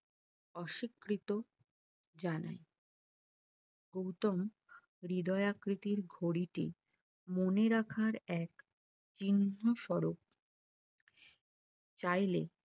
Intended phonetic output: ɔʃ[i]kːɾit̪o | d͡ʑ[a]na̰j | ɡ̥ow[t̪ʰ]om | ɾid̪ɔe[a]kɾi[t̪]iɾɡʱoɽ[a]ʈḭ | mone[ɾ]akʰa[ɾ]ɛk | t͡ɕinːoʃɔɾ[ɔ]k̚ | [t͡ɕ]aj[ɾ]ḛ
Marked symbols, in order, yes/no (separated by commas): yes, yes, no, yes, yes, no, yes, yes, no, yes, no